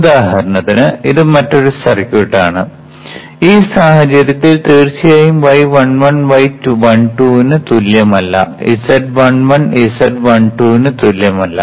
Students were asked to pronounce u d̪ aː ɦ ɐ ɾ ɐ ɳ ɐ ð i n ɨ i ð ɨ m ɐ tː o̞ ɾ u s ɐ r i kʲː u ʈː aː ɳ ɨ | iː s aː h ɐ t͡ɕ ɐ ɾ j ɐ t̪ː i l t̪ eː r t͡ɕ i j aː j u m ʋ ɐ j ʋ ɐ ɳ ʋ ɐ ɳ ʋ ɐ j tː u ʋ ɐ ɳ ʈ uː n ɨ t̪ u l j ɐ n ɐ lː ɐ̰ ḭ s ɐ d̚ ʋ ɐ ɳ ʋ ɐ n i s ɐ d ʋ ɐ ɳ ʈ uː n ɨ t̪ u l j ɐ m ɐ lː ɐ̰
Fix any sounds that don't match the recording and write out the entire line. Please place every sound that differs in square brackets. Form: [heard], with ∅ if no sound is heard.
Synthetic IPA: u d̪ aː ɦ ɐ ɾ ɐ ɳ ɐ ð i n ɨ i ð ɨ m ɐ tː o̞ ɾ u s ɐ r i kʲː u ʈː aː ɳ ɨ | iː s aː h ɐ t͡ɕ ɐ ɾ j ɐ t̪ː i l t̪ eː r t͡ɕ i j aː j u m ʋ ɐ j ʋ ɐ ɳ ʋ ɐ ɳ ʋ ɐ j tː u ʋ ɐ ɳ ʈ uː n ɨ t̪ u l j ɐ [m] ɐ lː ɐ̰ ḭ s ɐ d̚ ʋ ɐ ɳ ʋ ɐ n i s ɐ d ʋ ɐ ɳ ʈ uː n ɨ t̪ u l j ɐ m ɐ lː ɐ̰